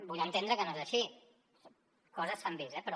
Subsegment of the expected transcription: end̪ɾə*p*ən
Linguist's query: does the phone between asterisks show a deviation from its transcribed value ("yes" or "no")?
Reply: yes